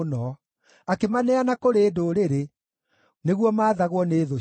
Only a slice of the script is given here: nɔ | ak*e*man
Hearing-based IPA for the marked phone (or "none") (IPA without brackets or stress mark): e